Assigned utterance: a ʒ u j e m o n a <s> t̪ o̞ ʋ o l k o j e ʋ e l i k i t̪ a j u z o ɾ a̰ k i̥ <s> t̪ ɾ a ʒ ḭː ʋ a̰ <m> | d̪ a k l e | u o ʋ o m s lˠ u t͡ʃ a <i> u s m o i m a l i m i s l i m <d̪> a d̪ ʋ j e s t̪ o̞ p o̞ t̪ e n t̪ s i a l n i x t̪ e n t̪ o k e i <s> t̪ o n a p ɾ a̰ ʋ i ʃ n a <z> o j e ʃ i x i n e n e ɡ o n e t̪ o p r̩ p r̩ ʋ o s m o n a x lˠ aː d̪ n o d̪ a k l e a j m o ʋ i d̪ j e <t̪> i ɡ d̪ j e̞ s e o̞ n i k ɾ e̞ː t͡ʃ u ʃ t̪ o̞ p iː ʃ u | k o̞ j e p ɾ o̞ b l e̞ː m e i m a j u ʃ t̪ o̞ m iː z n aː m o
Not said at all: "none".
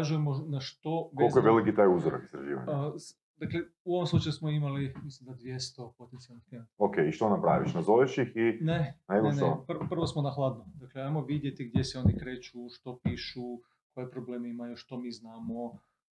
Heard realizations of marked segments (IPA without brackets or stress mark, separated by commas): ʃ, s, ɲ, j, d̪, ʃ, z, t̪